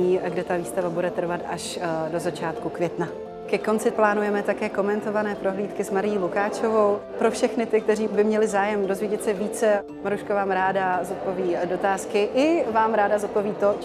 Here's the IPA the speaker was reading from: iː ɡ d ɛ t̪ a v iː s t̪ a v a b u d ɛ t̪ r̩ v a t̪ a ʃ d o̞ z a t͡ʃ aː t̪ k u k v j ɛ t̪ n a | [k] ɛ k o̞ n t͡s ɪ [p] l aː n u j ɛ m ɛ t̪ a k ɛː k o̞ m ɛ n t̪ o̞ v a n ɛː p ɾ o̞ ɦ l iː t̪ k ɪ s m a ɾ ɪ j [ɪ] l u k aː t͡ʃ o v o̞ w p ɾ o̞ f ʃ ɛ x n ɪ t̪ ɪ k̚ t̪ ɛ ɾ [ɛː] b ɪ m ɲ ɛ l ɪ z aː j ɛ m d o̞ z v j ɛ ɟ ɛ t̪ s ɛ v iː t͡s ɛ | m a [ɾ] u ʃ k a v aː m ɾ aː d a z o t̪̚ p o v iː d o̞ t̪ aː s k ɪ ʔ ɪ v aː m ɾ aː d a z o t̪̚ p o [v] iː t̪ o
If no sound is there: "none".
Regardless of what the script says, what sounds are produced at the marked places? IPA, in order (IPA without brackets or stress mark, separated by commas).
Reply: k, p, i, iː, ɾ, v